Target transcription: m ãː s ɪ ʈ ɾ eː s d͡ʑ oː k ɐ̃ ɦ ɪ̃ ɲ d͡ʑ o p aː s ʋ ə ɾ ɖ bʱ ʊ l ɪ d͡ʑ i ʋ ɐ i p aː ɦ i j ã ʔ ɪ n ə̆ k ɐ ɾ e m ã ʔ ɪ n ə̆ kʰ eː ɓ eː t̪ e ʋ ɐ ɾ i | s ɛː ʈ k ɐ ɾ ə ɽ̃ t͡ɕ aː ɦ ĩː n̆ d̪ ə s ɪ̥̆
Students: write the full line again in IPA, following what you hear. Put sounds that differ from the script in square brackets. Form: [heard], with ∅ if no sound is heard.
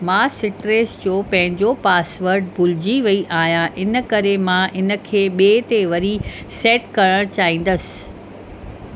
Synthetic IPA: m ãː s ɪ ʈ ɾ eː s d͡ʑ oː [p] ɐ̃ ɦ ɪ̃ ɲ d͡ʑ o p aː s ʋ ə ɾ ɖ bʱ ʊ l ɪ d͡ʑ i ʋ ɐ i [ʔ] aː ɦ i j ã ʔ ɪ n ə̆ k ɐ ɾ e m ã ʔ ɪ n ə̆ kʰ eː ɓ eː t̪ e ʋ ɐ ɾ i | s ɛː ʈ k ɐ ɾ ə ɽ̃ t͡ɕ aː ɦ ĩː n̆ d̪ ə s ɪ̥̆